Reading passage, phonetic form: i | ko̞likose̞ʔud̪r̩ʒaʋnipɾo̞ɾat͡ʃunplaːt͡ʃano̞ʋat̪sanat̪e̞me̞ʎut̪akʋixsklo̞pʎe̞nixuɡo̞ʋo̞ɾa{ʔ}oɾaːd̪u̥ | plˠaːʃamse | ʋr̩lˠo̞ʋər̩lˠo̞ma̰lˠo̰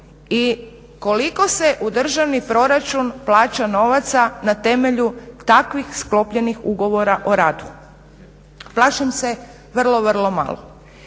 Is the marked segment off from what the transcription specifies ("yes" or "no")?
no